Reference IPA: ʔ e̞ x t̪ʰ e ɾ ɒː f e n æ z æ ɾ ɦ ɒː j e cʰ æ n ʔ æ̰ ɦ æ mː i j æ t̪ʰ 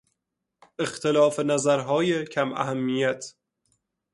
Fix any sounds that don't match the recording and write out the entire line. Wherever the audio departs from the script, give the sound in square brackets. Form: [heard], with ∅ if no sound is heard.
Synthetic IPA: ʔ e̞ x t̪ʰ e [l] ɒː f e n æ z æ ɾ ɦ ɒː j e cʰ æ [m] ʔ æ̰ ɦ æ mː i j æ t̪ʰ